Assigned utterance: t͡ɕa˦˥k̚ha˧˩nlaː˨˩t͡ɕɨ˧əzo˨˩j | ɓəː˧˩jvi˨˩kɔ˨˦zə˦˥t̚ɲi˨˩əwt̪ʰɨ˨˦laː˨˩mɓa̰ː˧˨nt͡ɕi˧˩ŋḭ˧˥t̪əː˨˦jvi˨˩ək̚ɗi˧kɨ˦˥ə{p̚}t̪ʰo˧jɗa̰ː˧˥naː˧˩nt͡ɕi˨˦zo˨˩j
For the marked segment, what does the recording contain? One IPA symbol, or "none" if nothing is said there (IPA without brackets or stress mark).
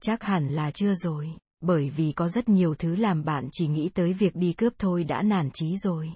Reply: p̚